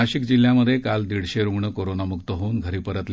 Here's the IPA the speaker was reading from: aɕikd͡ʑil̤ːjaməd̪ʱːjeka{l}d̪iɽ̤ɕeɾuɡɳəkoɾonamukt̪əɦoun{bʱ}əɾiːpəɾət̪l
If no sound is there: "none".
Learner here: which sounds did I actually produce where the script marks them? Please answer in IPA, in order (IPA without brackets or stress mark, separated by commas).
l, ɡʱ